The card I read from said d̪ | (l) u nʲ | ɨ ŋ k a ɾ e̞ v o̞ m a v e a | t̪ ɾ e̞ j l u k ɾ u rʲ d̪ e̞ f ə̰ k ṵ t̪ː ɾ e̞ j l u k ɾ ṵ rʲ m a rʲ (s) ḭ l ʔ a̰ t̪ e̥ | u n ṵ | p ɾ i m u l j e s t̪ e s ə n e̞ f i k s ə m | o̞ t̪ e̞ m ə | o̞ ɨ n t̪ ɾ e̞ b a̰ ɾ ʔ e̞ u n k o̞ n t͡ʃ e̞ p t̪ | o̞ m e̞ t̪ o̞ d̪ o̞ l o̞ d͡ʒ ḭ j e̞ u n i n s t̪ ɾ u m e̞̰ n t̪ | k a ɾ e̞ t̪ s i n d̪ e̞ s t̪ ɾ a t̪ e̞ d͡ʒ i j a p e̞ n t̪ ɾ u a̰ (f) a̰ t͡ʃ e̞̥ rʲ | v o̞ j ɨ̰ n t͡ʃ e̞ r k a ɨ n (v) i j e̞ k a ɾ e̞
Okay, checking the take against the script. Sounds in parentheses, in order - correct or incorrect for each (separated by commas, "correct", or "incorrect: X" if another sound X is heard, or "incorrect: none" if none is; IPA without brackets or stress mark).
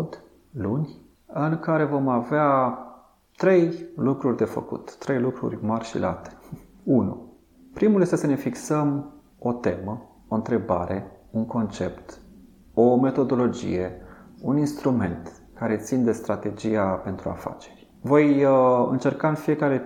correct, incorrect: ʃ, correct, incorrect: f